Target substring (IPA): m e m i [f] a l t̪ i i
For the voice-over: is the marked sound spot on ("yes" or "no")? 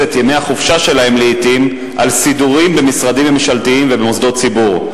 no